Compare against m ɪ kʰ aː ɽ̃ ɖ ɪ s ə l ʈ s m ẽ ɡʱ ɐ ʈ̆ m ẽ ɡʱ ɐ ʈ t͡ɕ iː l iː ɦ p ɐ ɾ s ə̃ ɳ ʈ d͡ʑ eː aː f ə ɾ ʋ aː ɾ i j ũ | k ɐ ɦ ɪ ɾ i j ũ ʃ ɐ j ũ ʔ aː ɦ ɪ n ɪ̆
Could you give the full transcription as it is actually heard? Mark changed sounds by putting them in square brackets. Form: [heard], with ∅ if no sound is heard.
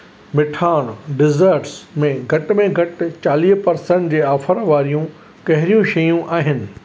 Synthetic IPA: m ɪ [ʈʰ] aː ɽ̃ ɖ ɪ [z] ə [ɾ] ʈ s m ẽ ɡʱ ɐ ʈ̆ m ẽ ɡʱ ɐ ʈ t͡ɕ [aː] l iː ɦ p ɐ ɾ s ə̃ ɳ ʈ d͡ʑ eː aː f ə ɾ ʋ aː ɾ i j ũ | k ɐ ɦ ɪ ɾ i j ũ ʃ ɐ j ũ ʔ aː ɦ ɪ n ɪ̆

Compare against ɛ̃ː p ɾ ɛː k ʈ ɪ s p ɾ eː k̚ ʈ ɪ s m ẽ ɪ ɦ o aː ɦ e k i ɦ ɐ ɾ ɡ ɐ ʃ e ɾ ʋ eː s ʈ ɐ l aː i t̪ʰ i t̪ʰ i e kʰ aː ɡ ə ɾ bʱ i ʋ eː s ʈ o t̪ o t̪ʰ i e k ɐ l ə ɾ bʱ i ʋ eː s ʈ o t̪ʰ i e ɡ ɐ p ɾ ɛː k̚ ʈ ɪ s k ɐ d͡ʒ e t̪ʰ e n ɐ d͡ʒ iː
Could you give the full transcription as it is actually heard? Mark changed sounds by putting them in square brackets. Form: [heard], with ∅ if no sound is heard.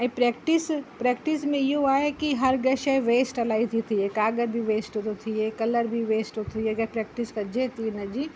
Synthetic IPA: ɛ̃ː p ɾ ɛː k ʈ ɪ s p ɾ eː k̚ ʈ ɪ s m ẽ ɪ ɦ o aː ɦ e k i ɦ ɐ ɾ ɡ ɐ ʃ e [∅] ʋ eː s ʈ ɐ l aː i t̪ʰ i t̪ʰ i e [k] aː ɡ ə ɾ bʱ i ʋ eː s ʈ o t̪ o t̪ʰ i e k ɐ l ə ɾ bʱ i ʋ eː s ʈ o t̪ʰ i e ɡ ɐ p ɾ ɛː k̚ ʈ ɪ s k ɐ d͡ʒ e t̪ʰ [i] n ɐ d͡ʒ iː

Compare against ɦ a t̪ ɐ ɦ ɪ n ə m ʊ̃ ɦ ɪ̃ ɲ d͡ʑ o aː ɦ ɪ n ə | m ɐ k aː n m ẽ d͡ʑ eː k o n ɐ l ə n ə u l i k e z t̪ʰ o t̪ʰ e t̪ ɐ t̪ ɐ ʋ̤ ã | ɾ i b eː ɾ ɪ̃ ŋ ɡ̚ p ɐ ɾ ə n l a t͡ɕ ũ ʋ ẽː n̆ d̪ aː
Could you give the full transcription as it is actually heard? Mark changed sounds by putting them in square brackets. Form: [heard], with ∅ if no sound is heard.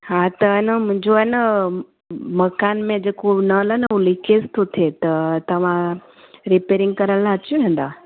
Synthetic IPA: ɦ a t̪ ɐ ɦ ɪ n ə m ʊ̃ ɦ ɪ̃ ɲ d͡ʑ o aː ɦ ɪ n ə | m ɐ k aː n m ẽ d͡ʑ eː k o n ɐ l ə n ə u l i k e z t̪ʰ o t̪ʰ e t̪ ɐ t̪ ɐ ʋ̤ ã | ɾ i [p] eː ɾ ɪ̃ ŋ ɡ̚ [k] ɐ ɾ ə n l a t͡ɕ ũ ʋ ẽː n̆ d̪ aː

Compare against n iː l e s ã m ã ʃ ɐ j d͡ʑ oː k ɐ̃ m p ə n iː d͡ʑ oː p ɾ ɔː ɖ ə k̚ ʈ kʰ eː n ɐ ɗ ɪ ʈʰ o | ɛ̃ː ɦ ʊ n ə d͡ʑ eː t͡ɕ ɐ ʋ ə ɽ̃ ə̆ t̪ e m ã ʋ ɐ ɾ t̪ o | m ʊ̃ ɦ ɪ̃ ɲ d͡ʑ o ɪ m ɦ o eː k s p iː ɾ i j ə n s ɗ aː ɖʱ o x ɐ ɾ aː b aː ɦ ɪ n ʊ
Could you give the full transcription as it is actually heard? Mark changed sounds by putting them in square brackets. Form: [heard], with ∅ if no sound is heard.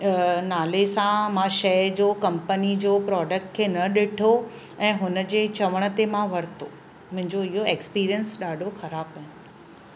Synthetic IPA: n [aː] l e s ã m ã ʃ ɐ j d͡ʑ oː k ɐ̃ m p ə n [i] d͡ʑ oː p ɾ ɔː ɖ ə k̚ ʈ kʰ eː n ɐ ɗ ɪ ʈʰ o | ɛ̃ː ɦ ʊ n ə d͡ʑ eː t͡ɕ ɐ ʋ ə ɽ̃ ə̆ t̪ e m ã ʋ ɐ ɾ t̪ o | m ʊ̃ ɦ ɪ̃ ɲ d͡ʑ o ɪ [∅] ɦ o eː k s p iː ɾ i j ə n s ɗ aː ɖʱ o x ɐ ɾ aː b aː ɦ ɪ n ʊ

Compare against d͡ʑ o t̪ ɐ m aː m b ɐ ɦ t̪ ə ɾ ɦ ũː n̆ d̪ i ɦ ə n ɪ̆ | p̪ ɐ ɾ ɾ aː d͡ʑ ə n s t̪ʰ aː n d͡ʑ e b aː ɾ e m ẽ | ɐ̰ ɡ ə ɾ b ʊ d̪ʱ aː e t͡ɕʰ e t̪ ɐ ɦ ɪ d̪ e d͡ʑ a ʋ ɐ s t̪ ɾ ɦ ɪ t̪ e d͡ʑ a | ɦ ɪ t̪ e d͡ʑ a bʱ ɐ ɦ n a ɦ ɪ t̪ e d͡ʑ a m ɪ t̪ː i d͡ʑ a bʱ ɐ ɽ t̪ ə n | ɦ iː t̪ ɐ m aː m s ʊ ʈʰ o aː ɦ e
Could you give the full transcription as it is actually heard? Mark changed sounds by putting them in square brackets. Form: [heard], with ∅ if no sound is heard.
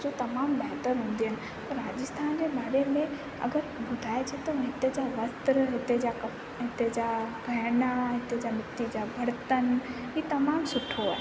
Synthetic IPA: d͡ʑ o t̪ ɐ m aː m b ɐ ɦ t̪ ə ɾ ɦ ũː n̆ d̪ i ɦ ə n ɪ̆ | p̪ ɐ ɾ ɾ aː d͡ʑ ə [∅] s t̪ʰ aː n d͡ʑ e b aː ɾ e m ẽ | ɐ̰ ɡ ə ɾ b ʊ d̪ʱ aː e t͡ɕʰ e t̪ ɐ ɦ ɪ [t̪] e d͡ʑ a ʋ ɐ s t̪ ɾ ɦ ɪ t̪ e d͡ʑ a | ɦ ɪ t̪ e d͡ʑ a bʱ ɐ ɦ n a ɦ ɪ t̪ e d͡ʑ a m ɪ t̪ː i d͡ʑ a bʱ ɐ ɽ t̪ ə n | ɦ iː t̪ ɐ m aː m s ʊ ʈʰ o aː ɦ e

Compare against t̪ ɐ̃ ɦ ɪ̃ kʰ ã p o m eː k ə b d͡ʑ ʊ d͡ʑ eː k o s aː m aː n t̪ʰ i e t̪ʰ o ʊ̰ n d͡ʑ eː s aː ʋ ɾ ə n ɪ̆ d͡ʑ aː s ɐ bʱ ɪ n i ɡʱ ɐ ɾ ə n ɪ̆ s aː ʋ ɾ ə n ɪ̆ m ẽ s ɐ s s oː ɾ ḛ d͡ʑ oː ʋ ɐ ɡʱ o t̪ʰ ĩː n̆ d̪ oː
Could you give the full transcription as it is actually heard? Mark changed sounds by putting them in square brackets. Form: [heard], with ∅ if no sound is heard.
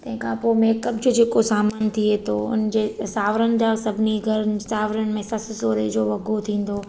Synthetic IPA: t̪ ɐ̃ ɦ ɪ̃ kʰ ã p o m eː k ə b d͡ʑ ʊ d͡ʑ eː k o s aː m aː n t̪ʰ i e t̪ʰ o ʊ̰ n d͡ʑ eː s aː ʋ ɾ ə n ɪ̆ d͡ʑ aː s ɐ bʱ ɪ n i ɡʱ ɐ ɾ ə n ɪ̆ s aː ʋ ɾ ə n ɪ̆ m ẽ s ɐ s s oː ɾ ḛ d͡ʑ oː ʋ ɐ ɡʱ o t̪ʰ ĩː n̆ d̪ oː

